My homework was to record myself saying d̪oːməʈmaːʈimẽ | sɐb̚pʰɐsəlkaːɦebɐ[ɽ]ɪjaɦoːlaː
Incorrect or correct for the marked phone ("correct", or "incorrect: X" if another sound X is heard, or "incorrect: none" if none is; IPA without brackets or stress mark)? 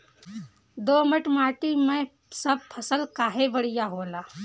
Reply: correct